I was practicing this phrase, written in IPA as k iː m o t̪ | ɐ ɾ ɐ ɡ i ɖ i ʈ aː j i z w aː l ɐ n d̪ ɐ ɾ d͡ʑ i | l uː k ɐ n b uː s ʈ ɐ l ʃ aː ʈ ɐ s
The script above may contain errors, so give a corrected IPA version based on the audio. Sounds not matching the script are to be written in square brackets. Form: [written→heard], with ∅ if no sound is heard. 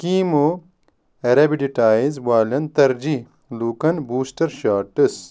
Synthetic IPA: k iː m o [t̪→∅] | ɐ ɾ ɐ [ɡ→b] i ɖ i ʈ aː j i z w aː l ɐ n [d̪→t̪] ɐ ɾ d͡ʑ i | l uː k ɐ n b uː s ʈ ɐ [l→ɾ] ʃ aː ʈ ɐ s

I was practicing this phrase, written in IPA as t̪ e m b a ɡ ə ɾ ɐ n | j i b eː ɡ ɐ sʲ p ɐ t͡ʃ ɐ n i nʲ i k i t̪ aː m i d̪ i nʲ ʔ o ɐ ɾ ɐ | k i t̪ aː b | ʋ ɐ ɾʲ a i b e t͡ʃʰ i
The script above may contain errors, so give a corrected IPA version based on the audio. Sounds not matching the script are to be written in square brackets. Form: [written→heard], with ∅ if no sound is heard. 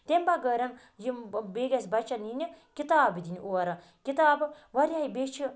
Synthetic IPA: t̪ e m b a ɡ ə ɾ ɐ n | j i b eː ɡ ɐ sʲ [p→b] ɐ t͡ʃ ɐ n i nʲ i k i t̪ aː [m→b] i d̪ i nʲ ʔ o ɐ ɾ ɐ | k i t̪ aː b | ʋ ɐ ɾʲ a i b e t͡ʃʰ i

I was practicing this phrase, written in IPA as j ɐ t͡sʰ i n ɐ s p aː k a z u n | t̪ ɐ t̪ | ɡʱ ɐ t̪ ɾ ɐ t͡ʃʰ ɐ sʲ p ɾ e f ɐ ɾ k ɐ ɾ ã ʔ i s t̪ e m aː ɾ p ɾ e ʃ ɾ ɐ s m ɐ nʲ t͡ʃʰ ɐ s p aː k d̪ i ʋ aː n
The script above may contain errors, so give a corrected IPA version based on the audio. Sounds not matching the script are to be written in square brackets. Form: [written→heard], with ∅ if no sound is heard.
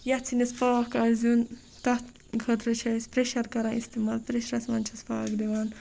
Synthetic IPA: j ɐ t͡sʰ i n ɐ s p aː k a z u n | t̪ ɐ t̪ | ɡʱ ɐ t̪ ɾ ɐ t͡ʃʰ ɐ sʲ p ɾ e [f→ʃ] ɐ ɾ k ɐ ɾ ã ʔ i s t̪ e m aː [ɾ→l] p ɾ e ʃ ɾ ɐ s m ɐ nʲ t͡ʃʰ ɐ s p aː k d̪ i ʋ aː n

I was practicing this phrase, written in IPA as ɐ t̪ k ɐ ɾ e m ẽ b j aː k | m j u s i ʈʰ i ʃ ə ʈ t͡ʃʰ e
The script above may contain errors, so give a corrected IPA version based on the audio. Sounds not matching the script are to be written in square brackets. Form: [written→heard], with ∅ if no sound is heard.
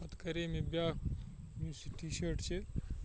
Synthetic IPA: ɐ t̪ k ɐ ɾ e m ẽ b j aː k | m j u s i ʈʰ i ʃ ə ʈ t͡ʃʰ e

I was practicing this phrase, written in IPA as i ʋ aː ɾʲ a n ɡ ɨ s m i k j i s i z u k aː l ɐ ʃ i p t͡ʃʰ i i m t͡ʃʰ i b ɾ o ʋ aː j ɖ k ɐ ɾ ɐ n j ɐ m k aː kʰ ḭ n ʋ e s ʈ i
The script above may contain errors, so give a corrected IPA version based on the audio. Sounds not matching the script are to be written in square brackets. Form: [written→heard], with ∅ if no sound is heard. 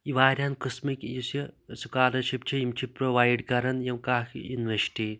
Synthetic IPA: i ʋ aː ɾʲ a n [ɡ→k] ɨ s m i k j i s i [z→s] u k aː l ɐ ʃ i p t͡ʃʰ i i m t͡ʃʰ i [b→p] ɾ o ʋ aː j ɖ k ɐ ɾ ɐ n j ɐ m k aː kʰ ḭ n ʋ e s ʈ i

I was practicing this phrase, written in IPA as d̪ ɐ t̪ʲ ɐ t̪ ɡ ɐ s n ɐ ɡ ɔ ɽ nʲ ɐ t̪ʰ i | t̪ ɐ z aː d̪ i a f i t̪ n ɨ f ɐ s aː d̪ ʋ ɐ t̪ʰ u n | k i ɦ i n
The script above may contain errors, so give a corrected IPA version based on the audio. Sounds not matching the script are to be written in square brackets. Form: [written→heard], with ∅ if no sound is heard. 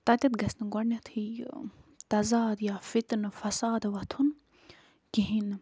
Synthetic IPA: [d̪→t̪] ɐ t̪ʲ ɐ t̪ ɡ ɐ s n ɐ ɡ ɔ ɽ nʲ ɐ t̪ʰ i | t̪ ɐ z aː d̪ [i→j] a f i t̪ n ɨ f ɐ s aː d̪ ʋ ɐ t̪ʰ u n | k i ɦ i n

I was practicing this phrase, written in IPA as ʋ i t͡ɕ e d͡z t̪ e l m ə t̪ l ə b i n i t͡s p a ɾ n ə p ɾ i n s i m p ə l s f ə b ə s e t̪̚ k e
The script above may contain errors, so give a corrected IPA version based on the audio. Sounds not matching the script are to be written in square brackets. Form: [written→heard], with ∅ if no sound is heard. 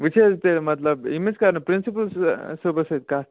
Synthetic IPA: ʋ i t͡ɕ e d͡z t̪ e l m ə t̪ l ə b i [n→m] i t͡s [p→k] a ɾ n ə p ɾ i n s i [m→∅] p ə l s [f→s] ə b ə s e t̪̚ k [e→a]

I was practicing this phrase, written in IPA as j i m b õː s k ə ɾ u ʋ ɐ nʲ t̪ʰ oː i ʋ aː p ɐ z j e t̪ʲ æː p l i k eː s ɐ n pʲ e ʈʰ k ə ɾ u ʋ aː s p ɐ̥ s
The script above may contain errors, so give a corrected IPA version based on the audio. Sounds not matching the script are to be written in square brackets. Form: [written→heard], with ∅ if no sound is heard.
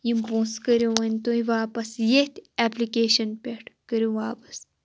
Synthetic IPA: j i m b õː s k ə ɾ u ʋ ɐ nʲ [t̪ʰ→t̪] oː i ʋ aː p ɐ [z→s] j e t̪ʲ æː p l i k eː [s→ʃ] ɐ n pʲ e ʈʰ k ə ɾ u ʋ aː [s→∅] p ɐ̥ s

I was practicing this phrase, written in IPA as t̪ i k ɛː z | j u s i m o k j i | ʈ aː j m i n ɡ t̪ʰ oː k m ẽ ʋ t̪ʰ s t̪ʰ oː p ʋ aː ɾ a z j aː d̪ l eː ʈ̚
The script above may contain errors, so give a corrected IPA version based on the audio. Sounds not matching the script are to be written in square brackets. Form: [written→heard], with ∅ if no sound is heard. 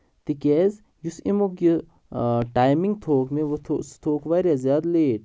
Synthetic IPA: t̪ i k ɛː z | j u s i m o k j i | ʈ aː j m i [n→ŋ] ɡ t̪ʰ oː k m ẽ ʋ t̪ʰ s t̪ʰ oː [p→k] ʋ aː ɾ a z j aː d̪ l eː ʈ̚

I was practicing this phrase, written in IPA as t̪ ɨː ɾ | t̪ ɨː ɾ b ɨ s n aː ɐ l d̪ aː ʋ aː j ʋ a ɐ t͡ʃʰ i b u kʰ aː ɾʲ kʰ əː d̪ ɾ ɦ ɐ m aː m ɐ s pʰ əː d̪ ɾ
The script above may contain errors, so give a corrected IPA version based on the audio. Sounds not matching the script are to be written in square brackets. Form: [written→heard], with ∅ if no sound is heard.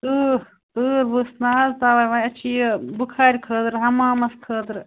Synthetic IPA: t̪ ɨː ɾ | t̪ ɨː ɾ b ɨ s n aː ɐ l [d̪→t̪] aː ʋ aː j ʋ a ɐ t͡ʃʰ i b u kʰ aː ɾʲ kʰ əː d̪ ɾ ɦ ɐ m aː m ɐ s [pʰ→kʰ] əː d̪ ɾ

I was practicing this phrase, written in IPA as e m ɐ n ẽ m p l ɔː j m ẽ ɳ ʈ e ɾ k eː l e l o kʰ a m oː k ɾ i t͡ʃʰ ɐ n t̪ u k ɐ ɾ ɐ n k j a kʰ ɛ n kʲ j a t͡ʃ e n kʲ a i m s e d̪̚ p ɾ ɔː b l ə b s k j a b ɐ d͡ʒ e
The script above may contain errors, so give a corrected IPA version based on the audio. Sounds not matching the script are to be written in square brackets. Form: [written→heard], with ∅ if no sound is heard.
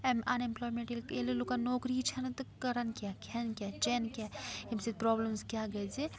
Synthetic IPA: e m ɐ n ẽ m p l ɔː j m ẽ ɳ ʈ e [ɾ→l] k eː l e l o [kʰ→k] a [m→n] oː k ɾ i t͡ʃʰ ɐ n t̪ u k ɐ ɾ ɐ n k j a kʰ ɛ n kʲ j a t͡ʃ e n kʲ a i m s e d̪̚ p ɾ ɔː b l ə [b→m] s k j a [b→ɡ] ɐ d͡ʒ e

